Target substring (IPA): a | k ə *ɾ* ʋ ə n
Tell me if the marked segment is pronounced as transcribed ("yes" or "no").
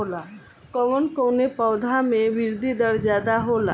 no